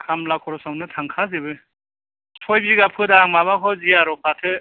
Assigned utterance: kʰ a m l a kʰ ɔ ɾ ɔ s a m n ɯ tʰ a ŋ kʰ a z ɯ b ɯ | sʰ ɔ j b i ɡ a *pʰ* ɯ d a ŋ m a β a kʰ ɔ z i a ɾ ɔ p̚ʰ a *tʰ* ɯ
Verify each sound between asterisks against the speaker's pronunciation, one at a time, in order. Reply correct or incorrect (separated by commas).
correct, correct